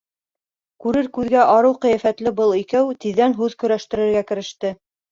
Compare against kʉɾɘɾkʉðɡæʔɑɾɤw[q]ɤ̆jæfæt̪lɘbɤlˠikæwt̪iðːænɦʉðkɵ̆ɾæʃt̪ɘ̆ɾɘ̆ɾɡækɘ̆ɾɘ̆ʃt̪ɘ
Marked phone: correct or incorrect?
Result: correct